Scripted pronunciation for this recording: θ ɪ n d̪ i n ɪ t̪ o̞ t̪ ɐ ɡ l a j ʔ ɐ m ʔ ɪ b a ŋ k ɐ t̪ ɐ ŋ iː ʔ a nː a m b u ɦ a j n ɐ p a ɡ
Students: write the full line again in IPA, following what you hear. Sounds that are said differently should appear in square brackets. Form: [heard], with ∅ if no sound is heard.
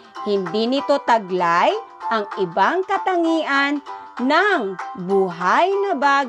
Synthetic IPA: [h] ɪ n d̪ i n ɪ t̪ o̞ t̪ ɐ ɡ l a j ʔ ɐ [ŋ] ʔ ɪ b a ŋ k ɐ t̪ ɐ ŋ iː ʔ a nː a [ŋ] b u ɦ a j n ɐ [b] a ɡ